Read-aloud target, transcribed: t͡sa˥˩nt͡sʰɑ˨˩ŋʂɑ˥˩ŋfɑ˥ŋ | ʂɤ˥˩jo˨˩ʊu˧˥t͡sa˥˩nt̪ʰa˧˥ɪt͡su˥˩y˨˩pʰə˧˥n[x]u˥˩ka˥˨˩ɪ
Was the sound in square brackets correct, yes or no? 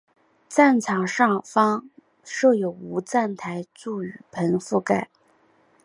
no